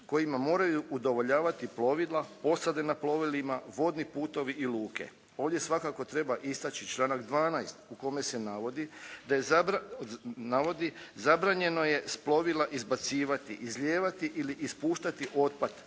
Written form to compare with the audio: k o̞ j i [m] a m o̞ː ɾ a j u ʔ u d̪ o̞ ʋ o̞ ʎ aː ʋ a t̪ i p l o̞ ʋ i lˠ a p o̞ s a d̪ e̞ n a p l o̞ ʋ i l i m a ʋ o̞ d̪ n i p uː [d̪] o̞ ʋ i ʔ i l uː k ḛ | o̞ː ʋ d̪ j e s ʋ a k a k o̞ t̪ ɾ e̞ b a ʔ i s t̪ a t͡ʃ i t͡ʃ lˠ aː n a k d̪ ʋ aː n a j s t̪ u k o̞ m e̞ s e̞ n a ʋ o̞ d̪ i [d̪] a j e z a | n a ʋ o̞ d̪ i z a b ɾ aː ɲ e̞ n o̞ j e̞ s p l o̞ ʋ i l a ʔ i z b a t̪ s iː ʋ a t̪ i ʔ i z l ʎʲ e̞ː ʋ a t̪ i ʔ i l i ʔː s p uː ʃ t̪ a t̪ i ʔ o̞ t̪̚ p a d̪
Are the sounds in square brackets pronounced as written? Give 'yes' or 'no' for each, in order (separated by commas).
yes, no, yes